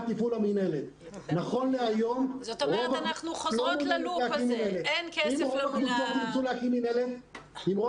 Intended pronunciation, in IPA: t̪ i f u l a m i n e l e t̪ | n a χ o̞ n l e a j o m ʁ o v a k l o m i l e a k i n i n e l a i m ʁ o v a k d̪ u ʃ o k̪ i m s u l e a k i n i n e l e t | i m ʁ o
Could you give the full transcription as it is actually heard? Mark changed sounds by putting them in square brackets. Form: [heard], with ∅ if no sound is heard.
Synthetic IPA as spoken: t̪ i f u l a m i n e l e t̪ | n a χ o̞ n l e a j o m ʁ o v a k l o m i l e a k i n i n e l [e] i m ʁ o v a k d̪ u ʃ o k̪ i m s u l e a k i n i n e l e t | i m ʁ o

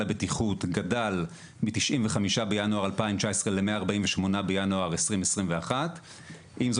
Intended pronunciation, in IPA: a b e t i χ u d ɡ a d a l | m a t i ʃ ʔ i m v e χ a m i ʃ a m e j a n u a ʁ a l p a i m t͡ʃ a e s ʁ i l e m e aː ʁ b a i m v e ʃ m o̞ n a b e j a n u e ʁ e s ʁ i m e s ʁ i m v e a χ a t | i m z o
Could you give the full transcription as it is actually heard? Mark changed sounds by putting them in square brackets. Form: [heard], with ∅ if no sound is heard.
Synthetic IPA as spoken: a b e t i χ u [t] ɡ a d a l | m [i] t i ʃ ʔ i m v e χ a m i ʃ a [b] e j a n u a ʁ a l p a i m t͡ʃ a e s ʁ [e] l e m e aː ʁ b a i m v e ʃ m o̞ n a b e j a n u [a] ʁ e s ʁ i m e s ʁ i m v e a χ a t | i m z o

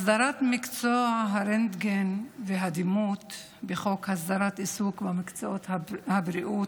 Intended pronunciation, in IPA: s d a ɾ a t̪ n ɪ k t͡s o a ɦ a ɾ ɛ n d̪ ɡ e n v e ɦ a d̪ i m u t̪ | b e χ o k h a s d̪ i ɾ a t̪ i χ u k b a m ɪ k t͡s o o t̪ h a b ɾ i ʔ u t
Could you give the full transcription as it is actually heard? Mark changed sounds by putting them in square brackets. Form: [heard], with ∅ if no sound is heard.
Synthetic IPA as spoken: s d a ɾ a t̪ [m] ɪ k t͡s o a ɦ a ɾ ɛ n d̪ ɡ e n v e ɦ a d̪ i m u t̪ | b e χ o k h a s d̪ [a] ɾ a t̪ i [s] u k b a m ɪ k t͡s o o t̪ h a b ɾ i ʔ u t

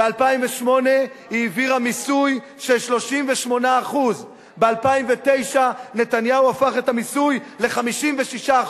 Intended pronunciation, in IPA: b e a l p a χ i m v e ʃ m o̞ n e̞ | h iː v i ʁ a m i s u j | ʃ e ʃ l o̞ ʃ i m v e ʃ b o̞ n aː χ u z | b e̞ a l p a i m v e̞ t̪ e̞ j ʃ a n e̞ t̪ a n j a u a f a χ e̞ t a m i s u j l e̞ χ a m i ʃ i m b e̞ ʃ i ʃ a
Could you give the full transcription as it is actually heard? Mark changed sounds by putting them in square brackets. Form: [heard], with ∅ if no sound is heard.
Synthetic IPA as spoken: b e a l p a [∅] i m v e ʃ m o̞ n e̞ | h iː v i ʁ a m i s u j | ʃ e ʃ l o̞ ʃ i m v e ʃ [m] o̞ n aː χ u z | b e̞ a l p a i m v e̞ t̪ e̞ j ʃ a n e̞ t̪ a n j a u a f a χ e̞ t a m i s u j l e̞ χ a m i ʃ i m [v] e̞ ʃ i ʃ a

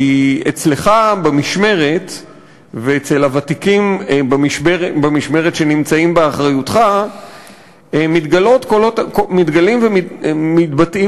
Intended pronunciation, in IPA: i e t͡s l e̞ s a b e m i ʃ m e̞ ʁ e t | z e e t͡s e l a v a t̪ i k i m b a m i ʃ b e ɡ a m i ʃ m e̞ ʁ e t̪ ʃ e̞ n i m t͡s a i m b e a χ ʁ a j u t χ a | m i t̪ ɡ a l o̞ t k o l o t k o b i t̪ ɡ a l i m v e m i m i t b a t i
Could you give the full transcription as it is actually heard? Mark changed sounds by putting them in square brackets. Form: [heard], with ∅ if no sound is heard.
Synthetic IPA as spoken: i e t͡s l e̞ [χ] a b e m i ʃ m e̞ ʁ e t | [v] e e t͡s e l a v a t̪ i k i m b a m i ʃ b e [b] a m i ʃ m e̞ ʁ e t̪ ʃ e̞ n i m t͡s a i m b e a χ ʁ a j u t χ a | m i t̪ ɡ a l o̞ t k o l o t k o [m] i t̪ ɡ a l i m v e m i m i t b a t i

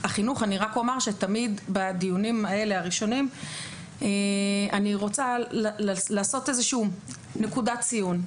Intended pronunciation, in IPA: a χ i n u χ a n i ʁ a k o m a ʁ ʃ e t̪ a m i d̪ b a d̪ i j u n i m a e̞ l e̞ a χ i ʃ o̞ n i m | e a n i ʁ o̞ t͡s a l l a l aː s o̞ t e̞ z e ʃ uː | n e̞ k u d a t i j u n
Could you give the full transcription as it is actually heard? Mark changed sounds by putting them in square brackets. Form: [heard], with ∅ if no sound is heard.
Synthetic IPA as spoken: a χ i n u χ a n i ʁ a k o m a ʁ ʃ e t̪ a m i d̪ b a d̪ i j u n i m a e̞ l e̞ a [ʁ] i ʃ o̞ n i m | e a n i ʁ o̞ t͡s a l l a l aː s o̞ t e̞ z e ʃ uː | n e̞ k u d a [t͡s] i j u n

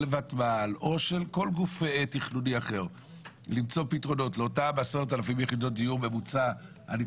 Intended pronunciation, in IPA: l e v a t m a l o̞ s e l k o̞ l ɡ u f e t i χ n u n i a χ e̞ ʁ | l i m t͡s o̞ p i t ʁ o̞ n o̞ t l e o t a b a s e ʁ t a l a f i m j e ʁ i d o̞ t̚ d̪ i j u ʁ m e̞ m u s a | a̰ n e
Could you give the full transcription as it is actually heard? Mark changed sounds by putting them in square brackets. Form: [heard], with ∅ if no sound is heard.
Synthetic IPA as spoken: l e v a t m a l o̞ [ʃ] e l k o̞ l ɡ u f e t i χ n u n i a χ e̞ ʁ | l i m t͡s o̞ p i t ʁ o̞ n o̞ t l e o t a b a s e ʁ t a l a f i m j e [χ] i d o̞ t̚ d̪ i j u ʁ m e̞ m u [t͡s] a | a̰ n [i]

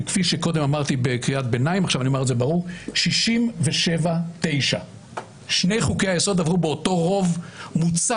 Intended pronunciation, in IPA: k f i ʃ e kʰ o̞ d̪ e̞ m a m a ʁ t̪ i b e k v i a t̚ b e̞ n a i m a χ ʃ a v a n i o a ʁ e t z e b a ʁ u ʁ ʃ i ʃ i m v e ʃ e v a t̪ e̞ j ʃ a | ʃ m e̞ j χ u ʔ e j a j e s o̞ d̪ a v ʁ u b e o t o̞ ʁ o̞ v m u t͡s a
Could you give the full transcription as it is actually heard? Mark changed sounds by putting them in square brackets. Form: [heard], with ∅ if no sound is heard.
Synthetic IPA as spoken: k f i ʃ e [k] o̞ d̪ e̞ m a m a ʁ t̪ i b e k [ʁ] i a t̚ b e̞ n a i m a χ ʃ a v a n i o a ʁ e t z e b a ʁ u ʁ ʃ i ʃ i m v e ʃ e v a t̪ e̞ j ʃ a | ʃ [n] e̞ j χ u [k] e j a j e s o̞ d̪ a v ʁ u b e o t o̞ ʁ o̞ v m u t͡s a

